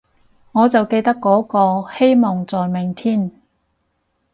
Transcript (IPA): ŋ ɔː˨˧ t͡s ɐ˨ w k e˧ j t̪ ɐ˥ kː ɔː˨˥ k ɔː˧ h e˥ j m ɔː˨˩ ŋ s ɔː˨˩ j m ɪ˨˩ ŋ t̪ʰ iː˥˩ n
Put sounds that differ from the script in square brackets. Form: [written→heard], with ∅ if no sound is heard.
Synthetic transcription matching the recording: ŋ ɔː˨˧ t͡s ɐ˨ w k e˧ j t̪ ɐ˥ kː ɔː˨˥ k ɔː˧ h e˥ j m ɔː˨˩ ŋ [s→t͡s] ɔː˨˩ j m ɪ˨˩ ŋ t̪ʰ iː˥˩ n